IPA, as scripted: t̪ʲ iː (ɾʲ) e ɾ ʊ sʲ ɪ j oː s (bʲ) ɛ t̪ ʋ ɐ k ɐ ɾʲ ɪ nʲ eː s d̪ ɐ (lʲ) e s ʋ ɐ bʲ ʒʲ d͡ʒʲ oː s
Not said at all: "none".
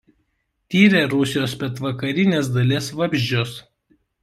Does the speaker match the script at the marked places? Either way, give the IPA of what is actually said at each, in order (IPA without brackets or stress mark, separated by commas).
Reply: ɾʲ, pʲ, lʲ